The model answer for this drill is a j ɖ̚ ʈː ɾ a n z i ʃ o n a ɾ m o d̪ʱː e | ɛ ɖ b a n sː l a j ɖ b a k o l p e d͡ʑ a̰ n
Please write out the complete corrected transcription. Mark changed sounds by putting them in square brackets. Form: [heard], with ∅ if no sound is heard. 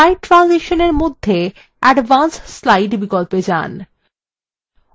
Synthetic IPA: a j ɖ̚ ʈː ɾ a n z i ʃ o n [e] ɾ m o d̪ʱː e | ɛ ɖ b a n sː l a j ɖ b [i] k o l p e d͡ʑ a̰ n